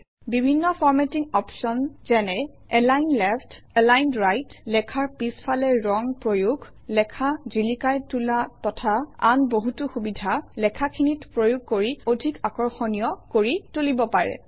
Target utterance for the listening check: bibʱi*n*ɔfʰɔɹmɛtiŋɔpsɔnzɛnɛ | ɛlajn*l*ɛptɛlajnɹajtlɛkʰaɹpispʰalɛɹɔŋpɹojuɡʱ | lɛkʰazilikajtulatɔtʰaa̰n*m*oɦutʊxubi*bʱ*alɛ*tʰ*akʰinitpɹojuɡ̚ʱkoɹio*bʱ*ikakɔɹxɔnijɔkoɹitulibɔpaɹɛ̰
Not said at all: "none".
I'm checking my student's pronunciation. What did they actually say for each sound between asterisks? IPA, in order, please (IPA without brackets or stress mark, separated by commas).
nː, l, b, dʱ, kʰ, dʱ